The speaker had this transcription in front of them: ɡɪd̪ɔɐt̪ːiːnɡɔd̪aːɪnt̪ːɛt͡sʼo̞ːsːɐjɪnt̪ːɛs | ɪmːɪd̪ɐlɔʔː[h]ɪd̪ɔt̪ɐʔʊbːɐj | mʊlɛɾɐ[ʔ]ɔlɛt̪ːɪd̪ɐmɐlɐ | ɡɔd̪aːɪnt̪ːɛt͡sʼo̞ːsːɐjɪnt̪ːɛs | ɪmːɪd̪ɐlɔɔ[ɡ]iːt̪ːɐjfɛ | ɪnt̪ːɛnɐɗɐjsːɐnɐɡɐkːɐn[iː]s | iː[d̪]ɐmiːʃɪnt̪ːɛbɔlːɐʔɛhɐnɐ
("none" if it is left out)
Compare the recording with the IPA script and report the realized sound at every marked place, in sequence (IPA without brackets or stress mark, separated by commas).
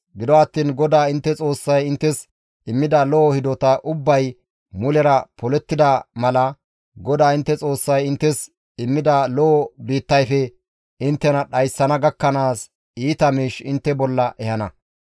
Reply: h, p, b, aː, t̪